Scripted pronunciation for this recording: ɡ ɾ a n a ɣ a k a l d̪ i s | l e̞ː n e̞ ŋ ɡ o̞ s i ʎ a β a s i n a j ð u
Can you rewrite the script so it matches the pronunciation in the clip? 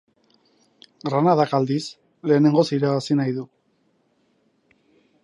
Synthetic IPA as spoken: ɡ ɾ a n a ð a k a l d̪ i s | l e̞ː n e̞ ŋ ɡ o̞ s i ɾ a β a s i n a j ð u